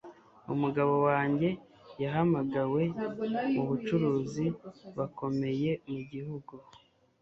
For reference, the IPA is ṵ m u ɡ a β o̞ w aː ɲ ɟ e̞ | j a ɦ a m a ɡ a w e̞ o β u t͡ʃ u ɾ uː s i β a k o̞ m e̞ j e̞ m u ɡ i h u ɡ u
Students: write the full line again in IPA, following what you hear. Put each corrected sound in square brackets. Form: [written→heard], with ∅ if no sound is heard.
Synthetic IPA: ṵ m u ɡ a β o̞ w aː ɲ ɟ e̞ | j a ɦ a m a ɡ a w e̞ [o→u] β u t͡ʃ u ɾ uː [s→z] i β a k o̞ m e̞ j e̞ m u [ɡ→ɟ] i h u ɡ u